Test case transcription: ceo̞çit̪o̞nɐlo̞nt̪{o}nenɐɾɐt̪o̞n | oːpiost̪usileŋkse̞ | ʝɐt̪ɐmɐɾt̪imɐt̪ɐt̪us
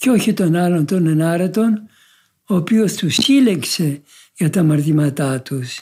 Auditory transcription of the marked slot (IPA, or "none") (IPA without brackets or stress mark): o